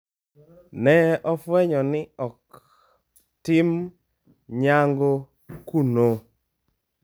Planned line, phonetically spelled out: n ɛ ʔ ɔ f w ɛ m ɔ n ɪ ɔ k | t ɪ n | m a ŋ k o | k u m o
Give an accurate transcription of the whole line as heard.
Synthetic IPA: n ɛ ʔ ɔ f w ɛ ɲ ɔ n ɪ ɔ k | t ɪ m | ɲ a ŋ ɡ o | k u n o